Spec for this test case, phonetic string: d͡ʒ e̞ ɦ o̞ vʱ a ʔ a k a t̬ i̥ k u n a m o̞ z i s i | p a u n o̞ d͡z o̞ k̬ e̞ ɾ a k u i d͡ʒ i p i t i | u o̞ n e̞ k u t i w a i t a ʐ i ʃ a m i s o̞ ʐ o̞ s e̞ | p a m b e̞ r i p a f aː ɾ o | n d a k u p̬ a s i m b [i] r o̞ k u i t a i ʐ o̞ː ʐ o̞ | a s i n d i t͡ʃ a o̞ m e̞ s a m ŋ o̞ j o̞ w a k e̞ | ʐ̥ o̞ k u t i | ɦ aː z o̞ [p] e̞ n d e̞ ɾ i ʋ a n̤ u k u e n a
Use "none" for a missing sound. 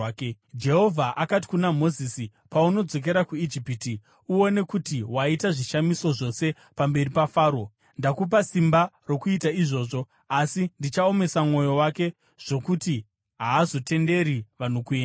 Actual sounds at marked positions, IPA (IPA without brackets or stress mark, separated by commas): a, t